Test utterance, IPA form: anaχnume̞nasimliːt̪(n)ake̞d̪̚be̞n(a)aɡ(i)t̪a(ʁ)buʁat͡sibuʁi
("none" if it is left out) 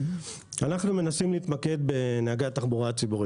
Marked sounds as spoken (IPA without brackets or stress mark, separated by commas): m, e, a, χ